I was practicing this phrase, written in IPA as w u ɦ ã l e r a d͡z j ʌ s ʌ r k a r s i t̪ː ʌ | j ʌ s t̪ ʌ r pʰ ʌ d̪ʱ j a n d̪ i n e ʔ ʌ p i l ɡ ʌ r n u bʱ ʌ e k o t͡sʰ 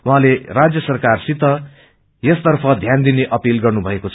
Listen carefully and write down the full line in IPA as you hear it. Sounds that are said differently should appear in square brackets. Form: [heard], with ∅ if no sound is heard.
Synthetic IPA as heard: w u ɦ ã l e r a d͡z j ʌ s ʌ r k a r s i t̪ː ʌ | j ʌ s t̪ ʌ r pʰ ʌ d̪ʱ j a n d̪ i n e ʔ ʌ p i l ɡ ʌ r n u bʱ ʌ e k o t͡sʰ

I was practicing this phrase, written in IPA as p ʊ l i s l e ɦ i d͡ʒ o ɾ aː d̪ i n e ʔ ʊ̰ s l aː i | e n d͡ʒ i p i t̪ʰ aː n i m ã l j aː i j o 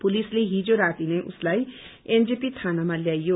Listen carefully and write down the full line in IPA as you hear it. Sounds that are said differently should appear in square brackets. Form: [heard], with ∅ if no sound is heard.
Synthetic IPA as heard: p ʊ l i s l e ɦ i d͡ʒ o ɾ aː [t̪] i n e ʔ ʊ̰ s l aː i | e n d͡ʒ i p i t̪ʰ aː n [a] m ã l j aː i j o

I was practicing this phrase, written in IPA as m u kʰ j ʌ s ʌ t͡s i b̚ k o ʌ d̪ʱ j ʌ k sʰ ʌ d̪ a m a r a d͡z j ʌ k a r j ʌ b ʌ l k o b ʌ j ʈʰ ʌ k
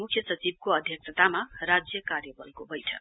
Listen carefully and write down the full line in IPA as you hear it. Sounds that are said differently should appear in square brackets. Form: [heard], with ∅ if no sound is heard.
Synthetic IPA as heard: m u kʰ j ʌ s ʌ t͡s i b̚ k o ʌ d̪ʱ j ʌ k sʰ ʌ [t̪] a m a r a d͡z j ʌ k a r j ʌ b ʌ l k o b ʌ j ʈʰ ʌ k

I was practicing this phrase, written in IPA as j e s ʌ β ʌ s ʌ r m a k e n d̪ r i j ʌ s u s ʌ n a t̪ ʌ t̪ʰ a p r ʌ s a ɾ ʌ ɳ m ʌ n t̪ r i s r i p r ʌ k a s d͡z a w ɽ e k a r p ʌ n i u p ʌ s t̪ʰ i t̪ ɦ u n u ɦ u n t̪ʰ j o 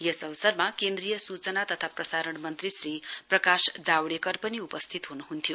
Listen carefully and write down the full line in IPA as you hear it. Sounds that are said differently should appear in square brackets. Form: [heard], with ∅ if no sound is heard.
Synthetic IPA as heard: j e s ʌ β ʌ s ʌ r m a k e n d̪ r i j ʌ s u [t͡s] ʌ n a t̪ ʌ t̪ʰ a p r ʌ s a ɾ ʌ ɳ m ʌ n t̪ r i s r i p r ʌ k a s d͡z a w ɽ e k [ʌ] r p ʌ n i u p ʌ s t̪ʰ i t̪ ɦ u n u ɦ u n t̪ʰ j o

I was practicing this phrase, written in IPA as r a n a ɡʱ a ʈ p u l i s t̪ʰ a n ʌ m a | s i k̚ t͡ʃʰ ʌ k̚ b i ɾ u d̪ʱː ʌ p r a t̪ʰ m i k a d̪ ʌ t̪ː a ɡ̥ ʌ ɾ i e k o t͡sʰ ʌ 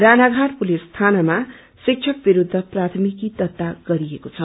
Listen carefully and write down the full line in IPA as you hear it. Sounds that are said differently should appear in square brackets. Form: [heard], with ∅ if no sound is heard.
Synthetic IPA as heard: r a n a ɡʱ a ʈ p u l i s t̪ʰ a n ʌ m a | s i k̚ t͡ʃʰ ʌ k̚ b i ɾ u d̪ʱː ʌ p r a t̪ʰ m i k [i] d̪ ʌ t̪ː a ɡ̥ ʌ ɾ i e k o t͡sʰ ʌ

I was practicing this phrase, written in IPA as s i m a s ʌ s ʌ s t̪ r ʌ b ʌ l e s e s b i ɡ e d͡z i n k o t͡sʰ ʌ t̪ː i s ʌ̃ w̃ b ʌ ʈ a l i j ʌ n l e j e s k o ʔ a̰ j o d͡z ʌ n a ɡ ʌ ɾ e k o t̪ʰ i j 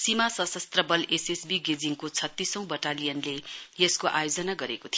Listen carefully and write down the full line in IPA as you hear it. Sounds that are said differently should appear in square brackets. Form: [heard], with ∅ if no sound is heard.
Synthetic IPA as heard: s i m a s ʌ s ʌ s t̪ r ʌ b ʌ l e s e s b i ɡ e d͡z i [ŋ] k o t͡sʰ ʌ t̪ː i s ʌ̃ w̃ b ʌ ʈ a l i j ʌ n l e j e s k o ʔ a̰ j o d͡z ʌ n a ɡ ʌ ɾ e k o t̪ʰ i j

